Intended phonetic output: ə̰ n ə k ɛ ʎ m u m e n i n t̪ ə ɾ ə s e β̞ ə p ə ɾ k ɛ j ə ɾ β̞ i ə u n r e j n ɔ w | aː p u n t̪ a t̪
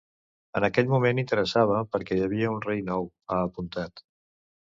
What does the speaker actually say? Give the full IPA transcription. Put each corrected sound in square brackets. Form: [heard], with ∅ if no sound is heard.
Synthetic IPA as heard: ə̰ n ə k ɛ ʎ m u m e n i n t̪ ə ɾ ə s [a] β̞ ə p ə ɾ k ɛ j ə [∅] β̞ i ə u n r e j n ɔ w | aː p u n t̪ a t̪